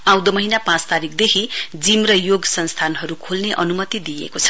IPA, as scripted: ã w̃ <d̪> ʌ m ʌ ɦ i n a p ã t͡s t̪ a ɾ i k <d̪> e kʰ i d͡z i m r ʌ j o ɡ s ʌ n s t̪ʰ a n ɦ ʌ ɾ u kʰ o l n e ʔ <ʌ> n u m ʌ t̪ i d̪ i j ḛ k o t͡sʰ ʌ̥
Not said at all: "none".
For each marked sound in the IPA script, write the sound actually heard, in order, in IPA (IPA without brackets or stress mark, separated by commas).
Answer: d̪, d̪, ʌ